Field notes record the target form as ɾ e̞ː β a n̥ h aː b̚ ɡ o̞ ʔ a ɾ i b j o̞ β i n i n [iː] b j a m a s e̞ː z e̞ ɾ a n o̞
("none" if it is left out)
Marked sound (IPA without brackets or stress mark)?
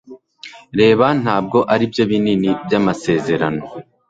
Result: i